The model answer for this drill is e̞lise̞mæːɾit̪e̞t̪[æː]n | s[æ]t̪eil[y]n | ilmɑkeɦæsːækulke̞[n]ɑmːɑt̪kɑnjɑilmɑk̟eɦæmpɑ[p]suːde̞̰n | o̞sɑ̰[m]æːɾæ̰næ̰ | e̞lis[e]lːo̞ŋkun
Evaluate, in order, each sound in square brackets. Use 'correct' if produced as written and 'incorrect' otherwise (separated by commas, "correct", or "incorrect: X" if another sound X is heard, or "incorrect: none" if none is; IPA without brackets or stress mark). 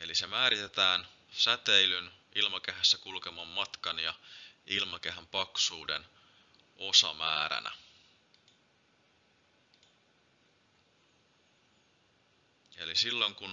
correct, correct, correct, incorrect: m, incorrect: k, correct, incorrect: i